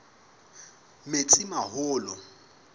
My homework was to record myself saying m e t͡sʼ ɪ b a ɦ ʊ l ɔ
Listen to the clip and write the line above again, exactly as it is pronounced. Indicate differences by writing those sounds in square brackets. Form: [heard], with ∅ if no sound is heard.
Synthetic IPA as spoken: m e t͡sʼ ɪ [m] a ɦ [ʊː] l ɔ